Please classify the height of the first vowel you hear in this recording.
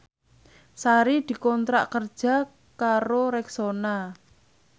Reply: low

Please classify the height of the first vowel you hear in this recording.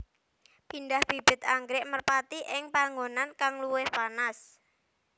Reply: high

